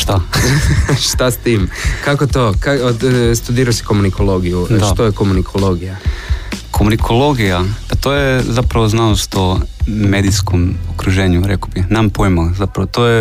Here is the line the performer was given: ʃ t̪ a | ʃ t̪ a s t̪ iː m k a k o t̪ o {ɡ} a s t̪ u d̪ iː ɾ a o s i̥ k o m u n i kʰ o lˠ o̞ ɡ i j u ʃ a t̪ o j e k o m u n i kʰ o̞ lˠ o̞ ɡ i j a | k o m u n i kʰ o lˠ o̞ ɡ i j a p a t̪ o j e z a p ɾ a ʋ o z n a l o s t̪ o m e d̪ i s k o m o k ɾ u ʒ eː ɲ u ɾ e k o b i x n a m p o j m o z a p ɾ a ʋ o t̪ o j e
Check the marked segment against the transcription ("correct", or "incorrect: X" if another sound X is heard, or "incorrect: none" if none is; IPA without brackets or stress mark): incorrect: k